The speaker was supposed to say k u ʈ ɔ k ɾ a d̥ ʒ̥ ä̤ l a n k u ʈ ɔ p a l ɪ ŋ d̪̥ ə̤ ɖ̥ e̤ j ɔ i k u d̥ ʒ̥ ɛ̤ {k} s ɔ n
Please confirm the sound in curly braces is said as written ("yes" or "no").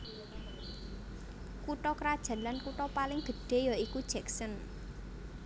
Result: yes